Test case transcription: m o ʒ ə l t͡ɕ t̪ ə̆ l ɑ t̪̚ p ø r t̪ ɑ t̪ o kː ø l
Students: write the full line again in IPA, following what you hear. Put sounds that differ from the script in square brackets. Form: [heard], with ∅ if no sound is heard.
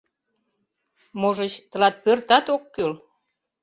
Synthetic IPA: m o ʒ ə [∅] t͡ɕ t̪ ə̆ l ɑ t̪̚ p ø r t̪ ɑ t̪ o kː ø l